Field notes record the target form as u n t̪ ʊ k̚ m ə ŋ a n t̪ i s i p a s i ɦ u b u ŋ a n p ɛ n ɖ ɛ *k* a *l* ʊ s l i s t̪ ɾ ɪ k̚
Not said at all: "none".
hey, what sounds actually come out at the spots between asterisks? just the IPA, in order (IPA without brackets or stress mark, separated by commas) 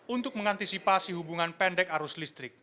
k, ɾ